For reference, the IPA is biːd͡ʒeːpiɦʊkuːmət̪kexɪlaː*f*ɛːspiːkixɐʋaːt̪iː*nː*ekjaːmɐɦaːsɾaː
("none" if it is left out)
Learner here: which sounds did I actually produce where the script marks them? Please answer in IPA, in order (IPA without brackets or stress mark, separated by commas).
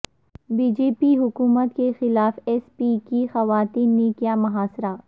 f, nː